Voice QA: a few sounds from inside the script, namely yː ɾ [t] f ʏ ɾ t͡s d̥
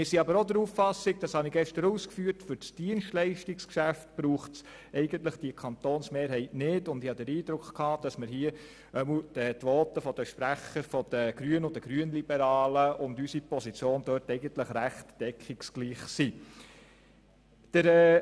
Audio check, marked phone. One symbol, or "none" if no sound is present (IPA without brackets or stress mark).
t